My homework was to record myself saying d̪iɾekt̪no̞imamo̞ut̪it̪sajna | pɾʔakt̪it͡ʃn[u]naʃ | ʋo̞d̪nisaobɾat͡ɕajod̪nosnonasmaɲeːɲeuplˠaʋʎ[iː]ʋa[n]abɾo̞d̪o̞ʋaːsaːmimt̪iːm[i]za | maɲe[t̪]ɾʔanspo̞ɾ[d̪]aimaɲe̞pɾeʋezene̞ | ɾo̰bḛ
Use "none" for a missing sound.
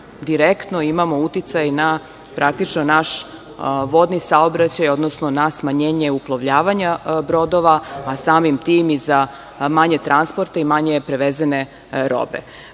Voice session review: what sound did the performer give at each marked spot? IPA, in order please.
o, aː, ɲ, i, t̪, t̪

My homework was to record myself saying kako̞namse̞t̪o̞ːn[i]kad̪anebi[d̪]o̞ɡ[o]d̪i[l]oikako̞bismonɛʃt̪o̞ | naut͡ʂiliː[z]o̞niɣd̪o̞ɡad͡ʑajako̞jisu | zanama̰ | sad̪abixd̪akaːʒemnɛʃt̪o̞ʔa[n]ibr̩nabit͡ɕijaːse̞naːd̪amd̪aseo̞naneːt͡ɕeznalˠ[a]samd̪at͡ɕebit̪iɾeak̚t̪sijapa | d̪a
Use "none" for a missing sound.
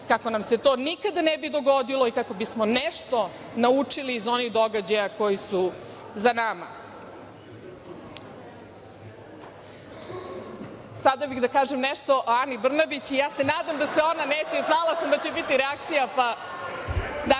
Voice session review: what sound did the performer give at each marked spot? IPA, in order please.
i, d̪, o, l, z, n, a

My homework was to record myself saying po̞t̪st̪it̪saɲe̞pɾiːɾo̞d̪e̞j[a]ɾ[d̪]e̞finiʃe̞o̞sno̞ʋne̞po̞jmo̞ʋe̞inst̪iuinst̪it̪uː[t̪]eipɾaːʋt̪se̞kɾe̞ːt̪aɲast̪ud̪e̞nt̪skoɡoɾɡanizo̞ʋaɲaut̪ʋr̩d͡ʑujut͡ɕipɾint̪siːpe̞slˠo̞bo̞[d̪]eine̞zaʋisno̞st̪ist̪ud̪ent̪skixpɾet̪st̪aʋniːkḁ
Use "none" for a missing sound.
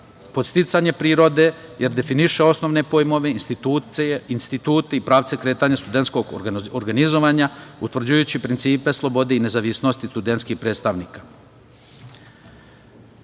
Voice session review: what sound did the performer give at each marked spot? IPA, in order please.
e, d̪, t̪, d̪

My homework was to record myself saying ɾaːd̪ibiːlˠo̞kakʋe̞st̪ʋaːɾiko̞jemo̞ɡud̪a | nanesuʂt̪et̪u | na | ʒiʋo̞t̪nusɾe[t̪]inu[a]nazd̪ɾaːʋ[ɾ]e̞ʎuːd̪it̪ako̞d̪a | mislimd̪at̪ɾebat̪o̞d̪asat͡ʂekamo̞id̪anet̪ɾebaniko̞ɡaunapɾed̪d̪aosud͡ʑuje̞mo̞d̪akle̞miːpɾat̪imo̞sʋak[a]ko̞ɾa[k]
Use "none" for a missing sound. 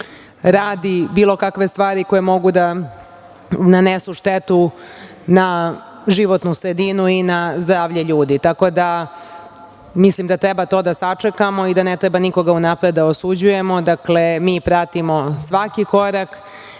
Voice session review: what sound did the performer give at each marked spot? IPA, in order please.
d̪, i, ʎ, i, k

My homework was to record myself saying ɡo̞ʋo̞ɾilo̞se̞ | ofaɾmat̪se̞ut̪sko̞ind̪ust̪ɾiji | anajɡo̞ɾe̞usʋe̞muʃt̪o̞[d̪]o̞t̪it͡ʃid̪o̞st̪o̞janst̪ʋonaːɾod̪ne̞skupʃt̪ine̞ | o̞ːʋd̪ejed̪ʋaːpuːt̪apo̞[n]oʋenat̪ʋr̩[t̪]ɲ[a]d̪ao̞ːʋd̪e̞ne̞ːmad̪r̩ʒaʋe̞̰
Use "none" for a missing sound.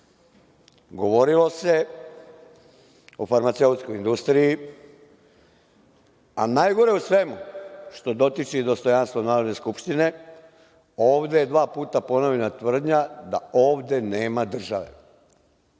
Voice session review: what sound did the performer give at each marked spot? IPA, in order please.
d̪, n, d̪, a

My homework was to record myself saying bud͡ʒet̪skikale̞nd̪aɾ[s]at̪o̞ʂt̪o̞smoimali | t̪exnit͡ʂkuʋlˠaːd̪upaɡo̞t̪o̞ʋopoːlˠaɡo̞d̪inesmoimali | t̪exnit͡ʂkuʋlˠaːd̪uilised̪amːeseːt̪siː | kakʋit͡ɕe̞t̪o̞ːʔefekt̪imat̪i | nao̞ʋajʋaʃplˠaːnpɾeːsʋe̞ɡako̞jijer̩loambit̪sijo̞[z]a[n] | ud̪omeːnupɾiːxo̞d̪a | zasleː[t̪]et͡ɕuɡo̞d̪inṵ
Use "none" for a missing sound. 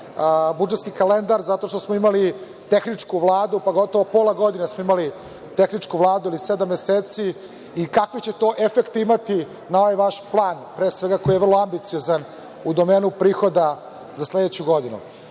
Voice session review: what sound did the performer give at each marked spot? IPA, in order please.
z, z, n, d̪

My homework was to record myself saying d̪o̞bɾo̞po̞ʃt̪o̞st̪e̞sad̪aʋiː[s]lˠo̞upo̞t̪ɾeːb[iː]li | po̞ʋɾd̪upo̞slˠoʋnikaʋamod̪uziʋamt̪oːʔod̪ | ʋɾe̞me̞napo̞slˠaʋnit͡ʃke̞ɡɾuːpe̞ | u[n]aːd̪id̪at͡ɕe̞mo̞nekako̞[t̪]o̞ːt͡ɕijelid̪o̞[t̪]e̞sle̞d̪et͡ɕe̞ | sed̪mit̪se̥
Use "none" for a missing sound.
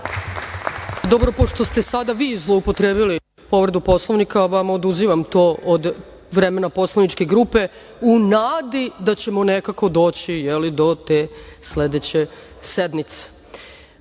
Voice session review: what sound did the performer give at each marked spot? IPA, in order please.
z, i, n, d̪, t̪

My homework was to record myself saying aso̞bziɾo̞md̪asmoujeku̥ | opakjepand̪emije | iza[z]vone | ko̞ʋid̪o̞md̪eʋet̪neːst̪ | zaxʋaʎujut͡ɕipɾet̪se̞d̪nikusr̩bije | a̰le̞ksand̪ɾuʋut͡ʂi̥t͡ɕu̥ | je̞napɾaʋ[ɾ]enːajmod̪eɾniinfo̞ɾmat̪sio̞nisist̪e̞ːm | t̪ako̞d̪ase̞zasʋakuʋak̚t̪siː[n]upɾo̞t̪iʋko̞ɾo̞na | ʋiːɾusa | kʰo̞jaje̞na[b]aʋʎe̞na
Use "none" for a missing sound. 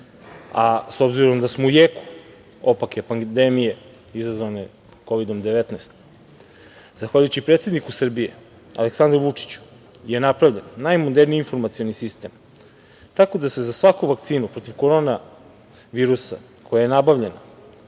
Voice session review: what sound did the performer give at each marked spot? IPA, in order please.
z, ʎ, n, b

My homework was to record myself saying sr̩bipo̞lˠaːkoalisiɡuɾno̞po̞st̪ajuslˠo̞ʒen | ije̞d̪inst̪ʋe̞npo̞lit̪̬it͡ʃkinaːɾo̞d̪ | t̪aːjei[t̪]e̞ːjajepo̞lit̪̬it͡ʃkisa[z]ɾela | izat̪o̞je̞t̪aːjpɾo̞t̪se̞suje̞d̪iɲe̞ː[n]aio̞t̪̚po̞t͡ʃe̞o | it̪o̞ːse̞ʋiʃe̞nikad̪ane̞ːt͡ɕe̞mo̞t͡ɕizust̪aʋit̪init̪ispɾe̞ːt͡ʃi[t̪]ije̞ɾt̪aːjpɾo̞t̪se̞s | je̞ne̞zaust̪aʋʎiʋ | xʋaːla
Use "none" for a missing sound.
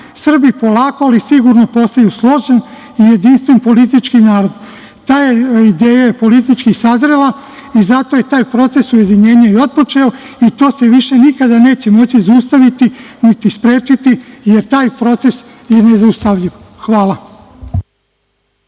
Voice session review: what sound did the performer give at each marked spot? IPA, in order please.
d̪, z, ɲ, t̪

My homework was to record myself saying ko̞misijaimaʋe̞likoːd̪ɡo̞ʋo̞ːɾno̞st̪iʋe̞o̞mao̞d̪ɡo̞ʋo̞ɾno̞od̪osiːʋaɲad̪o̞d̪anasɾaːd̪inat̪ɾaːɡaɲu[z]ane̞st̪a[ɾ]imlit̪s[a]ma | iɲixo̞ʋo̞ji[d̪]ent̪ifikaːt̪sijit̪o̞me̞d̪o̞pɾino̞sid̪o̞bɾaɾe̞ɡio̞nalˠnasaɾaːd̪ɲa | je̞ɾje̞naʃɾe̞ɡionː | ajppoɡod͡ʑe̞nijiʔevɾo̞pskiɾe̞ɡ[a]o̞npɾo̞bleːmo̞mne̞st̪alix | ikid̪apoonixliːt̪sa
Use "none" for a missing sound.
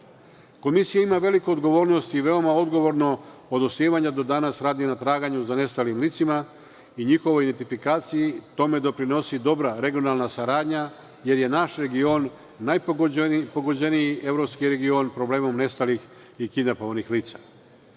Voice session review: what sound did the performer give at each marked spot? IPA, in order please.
z, l, i, d̪, i

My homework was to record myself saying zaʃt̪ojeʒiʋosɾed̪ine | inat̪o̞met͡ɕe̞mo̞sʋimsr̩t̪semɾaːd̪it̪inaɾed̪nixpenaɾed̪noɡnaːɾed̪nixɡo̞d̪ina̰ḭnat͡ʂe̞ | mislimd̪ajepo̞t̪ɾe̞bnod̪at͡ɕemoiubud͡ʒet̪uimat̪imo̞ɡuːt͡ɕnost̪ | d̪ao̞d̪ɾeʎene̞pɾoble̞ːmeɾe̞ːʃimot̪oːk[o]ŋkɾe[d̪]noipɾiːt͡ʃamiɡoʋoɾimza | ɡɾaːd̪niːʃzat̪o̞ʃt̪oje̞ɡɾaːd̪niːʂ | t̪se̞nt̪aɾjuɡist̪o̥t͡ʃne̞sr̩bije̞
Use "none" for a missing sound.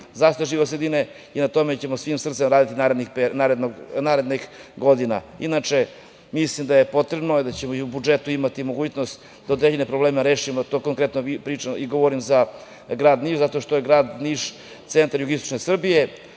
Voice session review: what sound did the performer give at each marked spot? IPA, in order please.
o, t̪

